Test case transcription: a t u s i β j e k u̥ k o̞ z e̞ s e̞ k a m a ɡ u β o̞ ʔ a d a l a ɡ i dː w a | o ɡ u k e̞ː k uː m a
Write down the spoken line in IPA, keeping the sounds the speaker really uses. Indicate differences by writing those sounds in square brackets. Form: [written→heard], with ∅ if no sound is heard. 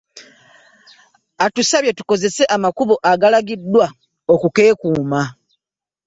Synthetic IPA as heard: a t u s [i→a] β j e [k→t] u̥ k o̞ z e̞ s e̞ [k→ʔ] a m a [ɡ→k] u β o̞ ʔ a [d→ɡ] a l a ɡ i dː w a | o [ɡ→k] u k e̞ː k uː m a